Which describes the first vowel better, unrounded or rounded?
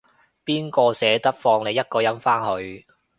unrounded